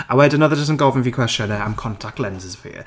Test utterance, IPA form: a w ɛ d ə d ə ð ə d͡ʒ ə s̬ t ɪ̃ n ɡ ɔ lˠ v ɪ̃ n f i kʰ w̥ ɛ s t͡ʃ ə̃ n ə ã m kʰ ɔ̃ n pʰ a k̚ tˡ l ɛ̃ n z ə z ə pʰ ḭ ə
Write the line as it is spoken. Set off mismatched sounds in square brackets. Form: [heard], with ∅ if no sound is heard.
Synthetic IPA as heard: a w ɛ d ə [n] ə ð ə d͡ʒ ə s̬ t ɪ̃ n ɡ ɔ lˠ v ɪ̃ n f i kʰ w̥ ɛ s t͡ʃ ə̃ n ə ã m kʰ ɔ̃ n [tʰ] a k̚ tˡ l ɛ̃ n z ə z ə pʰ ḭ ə